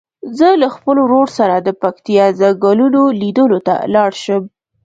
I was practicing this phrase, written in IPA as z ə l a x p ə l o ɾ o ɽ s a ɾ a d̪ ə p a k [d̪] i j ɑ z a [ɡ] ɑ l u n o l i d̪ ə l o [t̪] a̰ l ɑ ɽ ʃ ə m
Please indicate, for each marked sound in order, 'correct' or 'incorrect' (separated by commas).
incorrect, correct, correct